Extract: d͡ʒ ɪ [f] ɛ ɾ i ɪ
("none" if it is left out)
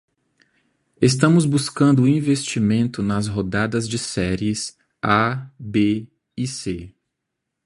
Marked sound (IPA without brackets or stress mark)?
s